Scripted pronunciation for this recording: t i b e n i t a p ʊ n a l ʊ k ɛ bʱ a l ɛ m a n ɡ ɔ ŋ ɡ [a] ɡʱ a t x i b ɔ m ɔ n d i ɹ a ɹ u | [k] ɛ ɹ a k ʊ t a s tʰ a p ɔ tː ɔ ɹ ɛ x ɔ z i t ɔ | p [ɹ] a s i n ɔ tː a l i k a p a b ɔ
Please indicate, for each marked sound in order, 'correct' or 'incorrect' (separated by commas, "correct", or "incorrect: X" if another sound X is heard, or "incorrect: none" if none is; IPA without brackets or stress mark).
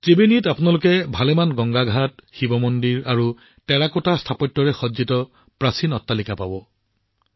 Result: correct, incorrect: t, correct